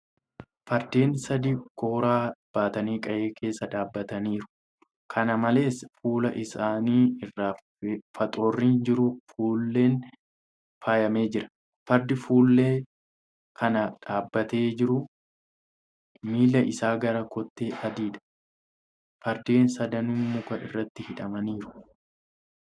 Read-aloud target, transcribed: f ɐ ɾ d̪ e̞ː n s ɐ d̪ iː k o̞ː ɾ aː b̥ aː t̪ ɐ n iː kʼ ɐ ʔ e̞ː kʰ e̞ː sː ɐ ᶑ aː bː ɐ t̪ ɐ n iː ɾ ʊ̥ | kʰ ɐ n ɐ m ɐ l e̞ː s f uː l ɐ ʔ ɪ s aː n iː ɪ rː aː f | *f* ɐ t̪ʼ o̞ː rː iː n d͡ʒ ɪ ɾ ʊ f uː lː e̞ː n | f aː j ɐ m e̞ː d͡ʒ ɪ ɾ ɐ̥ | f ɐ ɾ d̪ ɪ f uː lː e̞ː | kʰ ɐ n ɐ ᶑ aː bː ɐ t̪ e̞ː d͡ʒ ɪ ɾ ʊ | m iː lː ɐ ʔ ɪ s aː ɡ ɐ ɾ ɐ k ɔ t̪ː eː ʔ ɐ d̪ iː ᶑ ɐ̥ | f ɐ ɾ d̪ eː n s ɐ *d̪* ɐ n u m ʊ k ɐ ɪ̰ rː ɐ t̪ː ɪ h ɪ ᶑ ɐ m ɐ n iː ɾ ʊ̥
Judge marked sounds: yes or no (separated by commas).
yes, yes